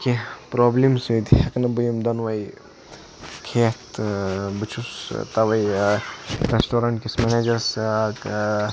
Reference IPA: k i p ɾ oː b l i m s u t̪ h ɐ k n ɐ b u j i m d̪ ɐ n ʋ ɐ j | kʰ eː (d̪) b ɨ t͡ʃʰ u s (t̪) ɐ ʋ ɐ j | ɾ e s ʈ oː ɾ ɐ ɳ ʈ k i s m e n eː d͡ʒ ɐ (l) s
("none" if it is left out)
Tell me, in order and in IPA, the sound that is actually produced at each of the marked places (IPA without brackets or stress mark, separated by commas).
t̪, t̪, ɾ